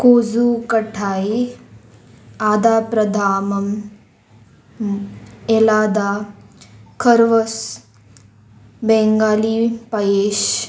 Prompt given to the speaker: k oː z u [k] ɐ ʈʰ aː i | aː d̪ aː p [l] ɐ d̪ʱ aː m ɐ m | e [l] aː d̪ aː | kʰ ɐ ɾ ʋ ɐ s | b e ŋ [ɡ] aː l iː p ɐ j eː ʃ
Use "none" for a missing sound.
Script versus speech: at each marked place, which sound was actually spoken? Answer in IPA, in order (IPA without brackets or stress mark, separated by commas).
k, ɾ, l, ɡ